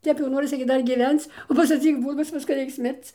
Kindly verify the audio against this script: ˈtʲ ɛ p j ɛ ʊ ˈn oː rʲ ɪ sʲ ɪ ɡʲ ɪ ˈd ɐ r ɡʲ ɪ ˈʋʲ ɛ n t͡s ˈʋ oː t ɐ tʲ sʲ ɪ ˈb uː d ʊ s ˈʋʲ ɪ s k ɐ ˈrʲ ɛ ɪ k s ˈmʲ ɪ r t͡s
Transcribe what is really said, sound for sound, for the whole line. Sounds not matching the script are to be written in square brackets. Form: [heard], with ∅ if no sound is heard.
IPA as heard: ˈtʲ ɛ p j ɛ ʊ ˈn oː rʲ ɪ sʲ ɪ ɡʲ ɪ ˈd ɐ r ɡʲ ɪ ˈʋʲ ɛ n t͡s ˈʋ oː [s] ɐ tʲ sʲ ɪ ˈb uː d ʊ s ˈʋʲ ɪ s k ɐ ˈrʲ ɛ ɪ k s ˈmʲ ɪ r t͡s